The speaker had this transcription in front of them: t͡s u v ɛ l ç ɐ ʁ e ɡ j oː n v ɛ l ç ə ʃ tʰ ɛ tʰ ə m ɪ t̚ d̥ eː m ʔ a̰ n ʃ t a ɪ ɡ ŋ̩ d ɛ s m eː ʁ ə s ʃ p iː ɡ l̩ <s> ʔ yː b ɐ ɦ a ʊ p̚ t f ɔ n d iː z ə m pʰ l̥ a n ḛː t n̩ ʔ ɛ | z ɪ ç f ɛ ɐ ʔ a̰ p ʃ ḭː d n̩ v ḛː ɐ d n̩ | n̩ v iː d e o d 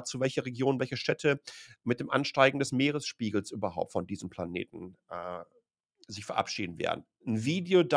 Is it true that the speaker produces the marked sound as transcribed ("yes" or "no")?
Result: yes